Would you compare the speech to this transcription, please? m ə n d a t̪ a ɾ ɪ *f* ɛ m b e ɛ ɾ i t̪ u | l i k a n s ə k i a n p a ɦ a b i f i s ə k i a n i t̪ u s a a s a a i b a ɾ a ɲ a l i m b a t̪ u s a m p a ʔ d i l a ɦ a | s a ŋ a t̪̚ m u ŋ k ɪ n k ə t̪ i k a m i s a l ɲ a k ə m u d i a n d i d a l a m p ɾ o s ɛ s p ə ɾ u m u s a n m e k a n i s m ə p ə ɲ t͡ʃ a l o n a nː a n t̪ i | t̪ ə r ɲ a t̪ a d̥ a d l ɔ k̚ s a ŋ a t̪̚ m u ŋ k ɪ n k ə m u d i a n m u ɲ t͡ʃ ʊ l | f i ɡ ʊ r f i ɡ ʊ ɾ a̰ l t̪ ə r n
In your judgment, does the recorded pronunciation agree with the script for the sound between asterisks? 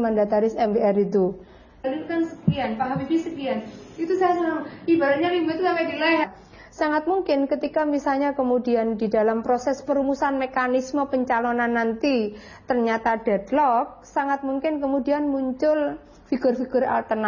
no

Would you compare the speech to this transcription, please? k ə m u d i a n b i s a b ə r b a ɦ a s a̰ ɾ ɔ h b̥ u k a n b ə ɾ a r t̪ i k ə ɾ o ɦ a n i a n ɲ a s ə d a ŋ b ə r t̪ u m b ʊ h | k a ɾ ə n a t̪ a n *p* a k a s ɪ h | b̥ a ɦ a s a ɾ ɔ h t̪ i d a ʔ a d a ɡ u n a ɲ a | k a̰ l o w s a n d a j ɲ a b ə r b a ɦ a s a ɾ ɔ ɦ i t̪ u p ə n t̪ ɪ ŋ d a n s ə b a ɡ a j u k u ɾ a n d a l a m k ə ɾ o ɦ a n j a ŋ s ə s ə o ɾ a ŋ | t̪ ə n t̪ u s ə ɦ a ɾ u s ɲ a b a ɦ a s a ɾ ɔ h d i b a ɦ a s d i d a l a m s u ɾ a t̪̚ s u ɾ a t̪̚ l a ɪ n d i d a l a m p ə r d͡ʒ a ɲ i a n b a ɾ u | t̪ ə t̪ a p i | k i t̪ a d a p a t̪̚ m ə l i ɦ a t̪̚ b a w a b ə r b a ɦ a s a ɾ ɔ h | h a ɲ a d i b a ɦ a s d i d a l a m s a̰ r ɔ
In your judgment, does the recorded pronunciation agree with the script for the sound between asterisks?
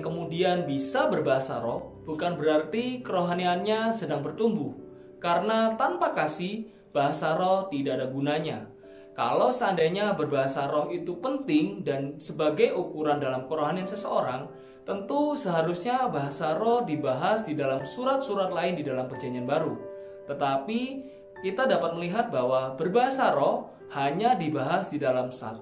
yes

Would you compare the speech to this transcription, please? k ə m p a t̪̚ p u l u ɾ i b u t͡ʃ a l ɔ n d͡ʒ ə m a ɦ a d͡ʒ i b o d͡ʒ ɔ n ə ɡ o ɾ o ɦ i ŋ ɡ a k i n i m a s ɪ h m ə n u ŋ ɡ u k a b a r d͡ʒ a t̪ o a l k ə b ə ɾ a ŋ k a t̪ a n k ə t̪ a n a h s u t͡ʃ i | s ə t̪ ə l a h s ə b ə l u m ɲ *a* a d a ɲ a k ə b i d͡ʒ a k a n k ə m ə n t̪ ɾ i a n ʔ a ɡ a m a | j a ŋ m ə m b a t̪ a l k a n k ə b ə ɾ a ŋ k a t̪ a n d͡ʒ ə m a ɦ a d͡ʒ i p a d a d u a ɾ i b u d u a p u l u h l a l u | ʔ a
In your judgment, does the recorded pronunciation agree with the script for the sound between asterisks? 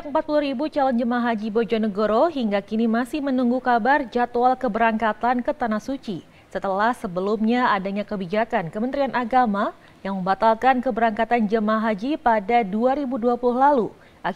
yes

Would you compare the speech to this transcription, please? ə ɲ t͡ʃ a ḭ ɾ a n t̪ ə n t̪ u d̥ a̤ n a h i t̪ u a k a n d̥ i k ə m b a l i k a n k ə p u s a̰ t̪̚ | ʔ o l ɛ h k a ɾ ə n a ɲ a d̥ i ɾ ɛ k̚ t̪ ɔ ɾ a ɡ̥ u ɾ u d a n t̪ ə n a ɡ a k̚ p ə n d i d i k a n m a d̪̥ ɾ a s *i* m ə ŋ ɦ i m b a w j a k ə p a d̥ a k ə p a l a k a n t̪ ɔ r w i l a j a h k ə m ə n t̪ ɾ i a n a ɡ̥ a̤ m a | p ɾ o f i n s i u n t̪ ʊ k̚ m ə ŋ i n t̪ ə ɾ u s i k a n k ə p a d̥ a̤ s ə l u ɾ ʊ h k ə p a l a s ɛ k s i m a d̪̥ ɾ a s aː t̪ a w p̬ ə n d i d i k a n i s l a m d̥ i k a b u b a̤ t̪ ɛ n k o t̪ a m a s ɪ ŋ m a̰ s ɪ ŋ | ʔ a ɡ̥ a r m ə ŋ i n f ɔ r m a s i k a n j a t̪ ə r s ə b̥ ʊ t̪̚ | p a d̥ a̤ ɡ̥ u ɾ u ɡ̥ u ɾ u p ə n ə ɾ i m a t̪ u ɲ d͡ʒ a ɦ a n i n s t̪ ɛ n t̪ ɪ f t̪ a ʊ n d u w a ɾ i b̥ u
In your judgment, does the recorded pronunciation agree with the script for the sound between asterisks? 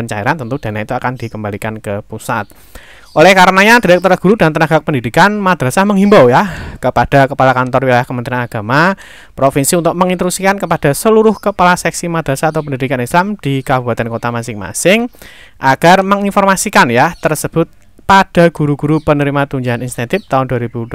no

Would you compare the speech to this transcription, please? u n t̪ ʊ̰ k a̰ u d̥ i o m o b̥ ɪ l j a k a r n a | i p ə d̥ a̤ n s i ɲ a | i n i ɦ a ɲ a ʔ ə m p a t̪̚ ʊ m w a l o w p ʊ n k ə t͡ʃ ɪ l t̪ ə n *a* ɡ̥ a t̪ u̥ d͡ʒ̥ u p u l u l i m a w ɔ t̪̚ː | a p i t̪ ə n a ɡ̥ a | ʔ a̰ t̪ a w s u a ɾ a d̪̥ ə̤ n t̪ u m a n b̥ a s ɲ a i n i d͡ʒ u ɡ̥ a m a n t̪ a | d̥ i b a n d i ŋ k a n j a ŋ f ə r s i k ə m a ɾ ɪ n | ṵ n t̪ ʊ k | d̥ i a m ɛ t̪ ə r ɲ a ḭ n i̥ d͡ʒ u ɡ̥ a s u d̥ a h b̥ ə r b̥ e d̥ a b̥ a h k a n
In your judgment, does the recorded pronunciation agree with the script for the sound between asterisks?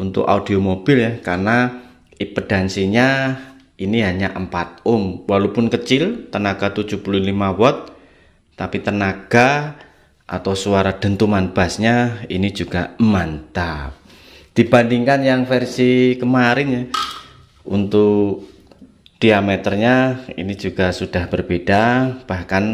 yes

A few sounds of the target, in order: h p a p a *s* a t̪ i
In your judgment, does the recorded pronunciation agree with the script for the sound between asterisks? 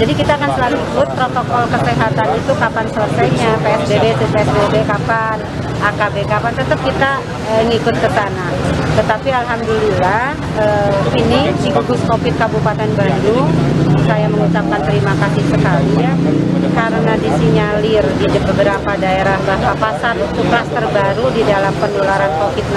yes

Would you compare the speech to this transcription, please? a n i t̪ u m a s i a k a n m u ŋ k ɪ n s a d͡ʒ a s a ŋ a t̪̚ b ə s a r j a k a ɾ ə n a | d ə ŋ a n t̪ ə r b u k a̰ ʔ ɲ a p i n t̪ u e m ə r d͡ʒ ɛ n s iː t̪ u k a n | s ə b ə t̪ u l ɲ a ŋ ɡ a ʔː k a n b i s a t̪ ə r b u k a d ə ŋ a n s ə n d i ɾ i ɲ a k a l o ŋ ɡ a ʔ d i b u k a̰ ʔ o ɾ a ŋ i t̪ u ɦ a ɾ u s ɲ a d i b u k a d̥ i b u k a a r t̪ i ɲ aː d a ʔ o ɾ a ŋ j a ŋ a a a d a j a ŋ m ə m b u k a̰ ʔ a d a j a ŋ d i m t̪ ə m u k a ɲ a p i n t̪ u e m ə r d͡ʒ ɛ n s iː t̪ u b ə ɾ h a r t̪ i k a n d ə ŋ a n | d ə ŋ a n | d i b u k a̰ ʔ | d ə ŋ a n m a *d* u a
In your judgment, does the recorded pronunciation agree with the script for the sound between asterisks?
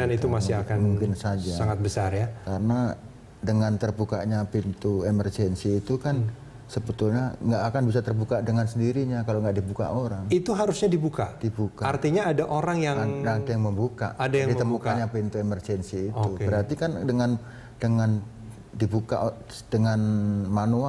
no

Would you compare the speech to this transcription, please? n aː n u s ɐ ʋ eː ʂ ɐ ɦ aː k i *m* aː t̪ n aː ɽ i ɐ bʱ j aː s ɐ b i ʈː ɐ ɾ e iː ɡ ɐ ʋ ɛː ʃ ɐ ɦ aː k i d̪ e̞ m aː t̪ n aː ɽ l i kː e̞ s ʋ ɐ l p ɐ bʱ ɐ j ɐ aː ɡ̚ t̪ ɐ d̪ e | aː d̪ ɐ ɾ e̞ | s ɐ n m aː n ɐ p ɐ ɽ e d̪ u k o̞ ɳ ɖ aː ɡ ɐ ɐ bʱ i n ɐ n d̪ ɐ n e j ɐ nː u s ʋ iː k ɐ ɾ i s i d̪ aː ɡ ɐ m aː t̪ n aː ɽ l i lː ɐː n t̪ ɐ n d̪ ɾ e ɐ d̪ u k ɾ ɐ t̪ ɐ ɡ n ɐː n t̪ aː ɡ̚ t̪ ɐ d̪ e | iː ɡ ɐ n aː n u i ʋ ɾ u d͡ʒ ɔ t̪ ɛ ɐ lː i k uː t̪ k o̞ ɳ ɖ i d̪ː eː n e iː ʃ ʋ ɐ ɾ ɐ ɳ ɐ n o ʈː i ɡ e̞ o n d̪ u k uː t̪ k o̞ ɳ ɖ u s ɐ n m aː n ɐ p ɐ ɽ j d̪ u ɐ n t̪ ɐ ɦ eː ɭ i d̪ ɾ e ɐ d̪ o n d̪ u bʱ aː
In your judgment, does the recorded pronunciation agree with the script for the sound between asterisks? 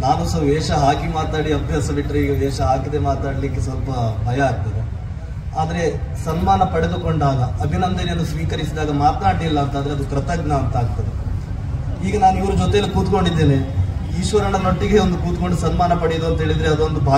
yes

